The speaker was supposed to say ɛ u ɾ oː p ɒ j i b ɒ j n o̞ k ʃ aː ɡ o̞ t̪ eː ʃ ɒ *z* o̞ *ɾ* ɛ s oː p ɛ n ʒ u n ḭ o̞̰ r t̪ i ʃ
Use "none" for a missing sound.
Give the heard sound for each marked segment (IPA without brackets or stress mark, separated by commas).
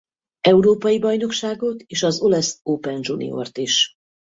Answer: z, l